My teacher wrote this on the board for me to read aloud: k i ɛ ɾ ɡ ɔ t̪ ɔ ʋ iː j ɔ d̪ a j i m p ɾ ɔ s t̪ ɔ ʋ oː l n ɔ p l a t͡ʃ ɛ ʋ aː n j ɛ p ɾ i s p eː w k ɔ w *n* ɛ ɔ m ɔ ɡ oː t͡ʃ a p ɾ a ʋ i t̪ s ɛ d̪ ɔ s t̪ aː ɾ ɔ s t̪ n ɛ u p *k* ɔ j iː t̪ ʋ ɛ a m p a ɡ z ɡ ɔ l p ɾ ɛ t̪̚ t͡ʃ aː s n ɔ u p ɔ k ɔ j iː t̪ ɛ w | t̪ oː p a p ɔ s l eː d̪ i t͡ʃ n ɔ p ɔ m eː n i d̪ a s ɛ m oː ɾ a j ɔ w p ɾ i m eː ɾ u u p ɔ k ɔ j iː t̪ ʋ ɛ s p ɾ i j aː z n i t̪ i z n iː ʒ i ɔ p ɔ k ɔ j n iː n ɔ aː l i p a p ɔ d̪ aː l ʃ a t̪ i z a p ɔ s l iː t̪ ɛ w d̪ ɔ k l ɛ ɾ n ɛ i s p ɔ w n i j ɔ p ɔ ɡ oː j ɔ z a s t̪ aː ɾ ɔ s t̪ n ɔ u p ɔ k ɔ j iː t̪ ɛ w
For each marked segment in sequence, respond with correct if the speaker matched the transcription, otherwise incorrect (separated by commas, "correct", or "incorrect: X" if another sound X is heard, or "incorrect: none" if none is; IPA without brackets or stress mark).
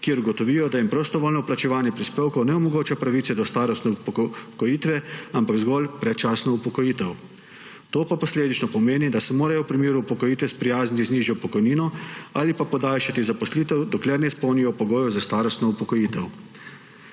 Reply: correct, correct